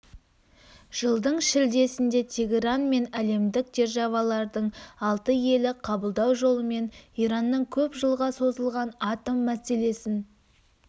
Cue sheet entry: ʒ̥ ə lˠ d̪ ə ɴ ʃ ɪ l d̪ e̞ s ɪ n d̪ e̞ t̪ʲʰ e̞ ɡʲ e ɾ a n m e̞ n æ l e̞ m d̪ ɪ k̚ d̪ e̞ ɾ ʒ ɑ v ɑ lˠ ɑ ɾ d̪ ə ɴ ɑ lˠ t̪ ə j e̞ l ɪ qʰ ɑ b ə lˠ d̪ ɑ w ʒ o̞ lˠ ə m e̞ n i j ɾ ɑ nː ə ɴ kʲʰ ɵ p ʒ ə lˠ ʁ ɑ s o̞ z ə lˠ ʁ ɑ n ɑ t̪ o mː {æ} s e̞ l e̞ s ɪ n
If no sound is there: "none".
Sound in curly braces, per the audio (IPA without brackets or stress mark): æ